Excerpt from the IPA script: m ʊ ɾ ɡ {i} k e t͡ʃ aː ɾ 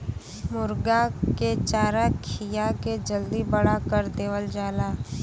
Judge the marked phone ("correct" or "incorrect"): incorrect